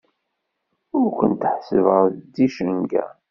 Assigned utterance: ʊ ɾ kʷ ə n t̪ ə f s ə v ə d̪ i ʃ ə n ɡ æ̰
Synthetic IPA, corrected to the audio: ʊ ɾ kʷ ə n t̪ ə ħ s ə v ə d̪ i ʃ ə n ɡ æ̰